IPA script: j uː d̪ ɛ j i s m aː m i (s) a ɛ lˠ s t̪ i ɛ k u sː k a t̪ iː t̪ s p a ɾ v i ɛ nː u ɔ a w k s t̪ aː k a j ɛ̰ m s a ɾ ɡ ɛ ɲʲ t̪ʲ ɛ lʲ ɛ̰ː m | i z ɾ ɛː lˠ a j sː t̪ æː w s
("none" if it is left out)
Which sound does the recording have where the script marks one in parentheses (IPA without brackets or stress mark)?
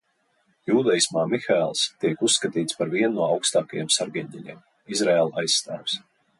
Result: x